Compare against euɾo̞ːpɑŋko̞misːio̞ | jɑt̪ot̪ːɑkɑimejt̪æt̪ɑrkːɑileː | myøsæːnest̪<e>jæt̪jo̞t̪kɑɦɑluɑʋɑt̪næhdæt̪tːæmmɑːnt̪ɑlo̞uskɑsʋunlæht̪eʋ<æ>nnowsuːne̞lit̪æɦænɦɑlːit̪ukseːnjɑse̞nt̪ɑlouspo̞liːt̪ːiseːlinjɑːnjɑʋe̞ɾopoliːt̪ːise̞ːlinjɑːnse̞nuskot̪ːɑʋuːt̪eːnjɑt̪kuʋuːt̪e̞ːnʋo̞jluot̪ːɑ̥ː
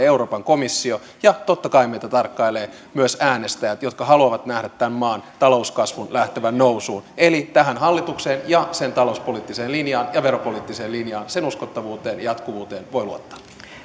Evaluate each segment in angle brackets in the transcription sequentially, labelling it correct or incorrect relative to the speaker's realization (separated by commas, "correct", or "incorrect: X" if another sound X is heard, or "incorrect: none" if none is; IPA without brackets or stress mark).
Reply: incorrect: æ, correct